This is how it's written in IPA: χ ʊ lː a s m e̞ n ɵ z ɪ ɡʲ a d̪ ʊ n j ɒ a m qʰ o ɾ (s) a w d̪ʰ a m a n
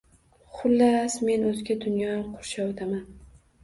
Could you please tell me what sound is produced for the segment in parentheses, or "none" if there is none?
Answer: ʃ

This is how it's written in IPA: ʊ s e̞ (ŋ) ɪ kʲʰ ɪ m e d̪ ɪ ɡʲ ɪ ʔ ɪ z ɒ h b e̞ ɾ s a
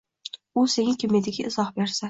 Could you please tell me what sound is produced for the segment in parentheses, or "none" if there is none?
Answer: ŋ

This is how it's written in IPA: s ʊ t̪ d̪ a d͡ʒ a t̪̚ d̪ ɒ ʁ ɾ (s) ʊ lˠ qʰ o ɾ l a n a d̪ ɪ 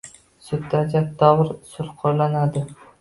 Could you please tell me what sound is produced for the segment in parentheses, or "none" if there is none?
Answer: s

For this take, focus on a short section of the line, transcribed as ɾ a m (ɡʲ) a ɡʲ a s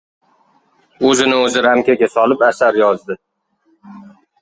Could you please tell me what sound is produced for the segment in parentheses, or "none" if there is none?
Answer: kʲ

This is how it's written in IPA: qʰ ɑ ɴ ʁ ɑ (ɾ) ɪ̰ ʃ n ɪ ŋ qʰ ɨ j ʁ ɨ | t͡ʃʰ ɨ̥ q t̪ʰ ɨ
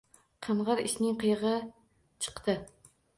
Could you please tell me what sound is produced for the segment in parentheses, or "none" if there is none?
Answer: ɾ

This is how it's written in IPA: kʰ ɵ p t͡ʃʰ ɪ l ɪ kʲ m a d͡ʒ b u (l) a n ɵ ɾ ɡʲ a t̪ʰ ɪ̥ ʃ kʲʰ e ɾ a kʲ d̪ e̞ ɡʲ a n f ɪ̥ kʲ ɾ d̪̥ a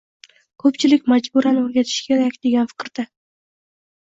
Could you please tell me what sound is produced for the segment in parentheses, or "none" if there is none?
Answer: ɾ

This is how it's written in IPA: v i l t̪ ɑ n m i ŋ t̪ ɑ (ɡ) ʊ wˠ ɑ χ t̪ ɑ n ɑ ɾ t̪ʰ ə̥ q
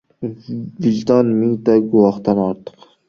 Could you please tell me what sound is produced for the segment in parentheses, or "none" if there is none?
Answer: ɡ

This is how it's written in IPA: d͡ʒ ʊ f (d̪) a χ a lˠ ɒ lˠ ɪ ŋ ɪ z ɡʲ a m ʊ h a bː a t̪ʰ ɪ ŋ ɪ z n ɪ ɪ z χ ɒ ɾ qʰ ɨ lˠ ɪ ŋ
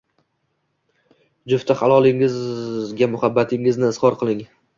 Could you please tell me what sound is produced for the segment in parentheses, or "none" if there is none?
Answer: t̪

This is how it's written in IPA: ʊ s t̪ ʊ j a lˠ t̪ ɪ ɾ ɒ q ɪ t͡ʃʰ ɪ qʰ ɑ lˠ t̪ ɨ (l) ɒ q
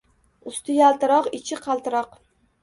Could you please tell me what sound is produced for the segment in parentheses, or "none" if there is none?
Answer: ɾ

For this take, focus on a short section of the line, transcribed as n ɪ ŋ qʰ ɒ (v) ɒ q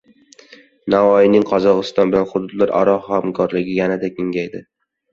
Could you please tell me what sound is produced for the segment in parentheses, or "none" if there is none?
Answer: z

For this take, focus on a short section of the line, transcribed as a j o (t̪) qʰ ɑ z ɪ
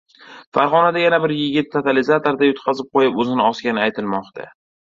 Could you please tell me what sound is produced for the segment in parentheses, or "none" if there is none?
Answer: t̪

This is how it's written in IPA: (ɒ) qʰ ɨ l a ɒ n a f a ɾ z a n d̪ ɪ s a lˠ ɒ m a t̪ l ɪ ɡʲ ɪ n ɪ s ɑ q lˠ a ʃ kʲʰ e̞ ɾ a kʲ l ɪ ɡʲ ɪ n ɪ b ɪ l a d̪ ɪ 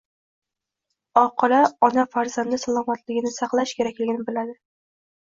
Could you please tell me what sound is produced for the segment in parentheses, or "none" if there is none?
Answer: ɒ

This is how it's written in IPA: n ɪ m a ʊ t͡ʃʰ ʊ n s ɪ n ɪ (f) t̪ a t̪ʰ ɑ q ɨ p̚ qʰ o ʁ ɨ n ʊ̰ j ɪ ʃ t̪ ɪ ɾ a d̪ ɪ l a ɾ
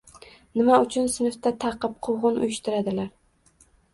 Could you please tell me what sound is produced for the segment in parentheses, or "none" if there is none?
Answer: f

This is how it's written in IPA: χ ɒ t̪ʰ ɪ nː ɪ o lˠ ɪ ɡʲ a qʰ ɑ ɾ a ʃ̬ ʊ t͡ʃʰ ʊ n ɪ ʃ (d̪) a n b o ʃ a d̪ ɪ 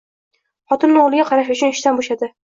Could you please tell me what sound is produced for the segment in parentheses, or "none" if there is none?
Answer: t̪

